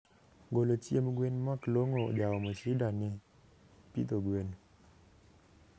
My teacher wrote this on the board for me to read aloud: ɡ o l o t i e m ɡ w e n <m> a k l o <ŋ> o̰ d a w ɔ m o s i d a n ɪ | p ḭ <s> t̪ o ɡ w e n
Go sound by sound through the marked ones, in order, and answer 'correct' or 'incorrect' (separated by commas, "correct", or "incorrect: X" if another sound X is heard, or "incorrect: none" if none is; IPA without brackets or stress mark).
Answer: correct, correct, incorrect: none